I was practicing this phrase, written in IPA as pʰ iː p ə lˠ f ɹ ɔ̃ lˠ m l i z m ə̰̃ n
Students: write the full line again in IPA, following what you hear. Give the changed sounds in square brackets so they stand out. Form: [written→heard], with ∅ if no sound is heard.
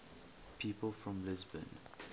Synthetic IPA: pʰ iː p ə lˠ f ɹ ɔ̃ [lˠ→∅] m l [i→ɪ] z [m→b] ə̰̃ n